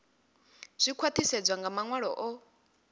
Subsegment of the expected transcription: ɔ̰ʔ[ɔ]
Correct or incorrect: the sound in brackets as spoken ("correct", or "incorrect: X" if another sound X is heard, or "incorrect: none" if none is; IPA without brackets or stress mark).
correct